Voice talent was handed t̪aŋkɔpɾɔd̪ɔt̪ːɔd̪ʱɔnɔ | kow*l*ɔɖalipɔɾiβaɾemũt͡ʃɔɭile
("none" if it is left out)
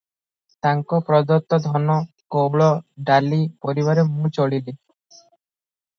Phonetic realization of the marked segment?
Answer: ɭ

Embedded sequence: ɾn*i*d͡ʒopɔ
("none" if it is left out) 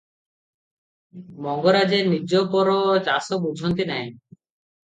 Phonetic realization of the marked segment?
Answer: i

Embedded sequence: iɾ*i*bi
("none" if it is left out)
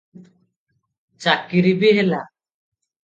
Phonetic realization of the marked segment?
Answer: i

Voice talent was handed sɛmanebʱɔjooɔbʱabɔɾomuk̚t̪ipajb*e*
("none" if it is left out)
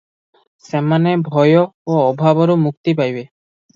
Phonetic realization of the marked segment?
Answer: e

